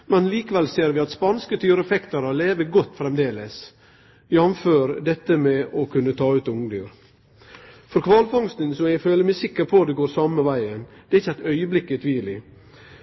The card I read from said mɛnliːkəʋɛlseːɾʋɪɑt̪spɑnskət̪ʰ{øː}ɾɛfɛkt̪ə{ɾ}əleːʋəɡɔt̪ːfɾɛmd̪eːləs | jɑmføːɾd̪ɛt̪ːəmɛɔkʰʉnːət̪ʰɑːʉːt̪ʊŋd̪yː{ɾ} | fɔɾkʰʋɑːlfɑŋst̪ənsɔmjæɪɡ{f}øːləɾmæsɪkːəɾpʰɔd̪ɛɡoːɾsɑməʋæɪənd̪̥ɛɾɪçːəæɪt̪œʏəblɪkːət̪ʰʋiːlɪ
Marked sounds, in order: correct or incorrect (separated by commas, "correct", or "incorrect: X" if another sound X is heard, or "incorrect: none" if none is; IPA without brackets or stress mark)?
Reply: incorrect: yː, correct, correct, correct